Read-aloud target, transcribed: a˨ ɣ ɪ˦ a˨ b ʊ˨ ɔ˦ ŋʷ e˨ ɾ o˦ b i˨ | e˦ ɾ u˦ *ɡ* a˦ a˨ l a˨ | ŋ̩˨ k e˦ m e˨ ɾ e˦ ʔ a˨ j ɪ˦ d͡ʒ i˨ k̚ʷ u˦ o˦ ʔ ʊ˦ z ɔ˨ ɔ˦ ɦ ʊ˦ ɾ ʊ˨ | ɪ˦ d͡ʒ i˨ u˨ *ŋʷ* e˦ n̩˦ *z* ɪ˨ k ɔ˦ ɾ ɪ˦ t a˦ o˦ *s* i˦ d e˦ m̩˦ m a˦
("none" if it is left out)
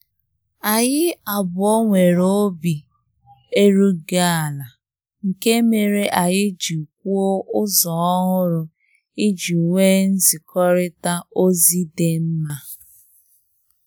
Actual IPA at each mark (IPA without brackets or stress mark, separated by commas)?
ɡ, ŋʷ, z, z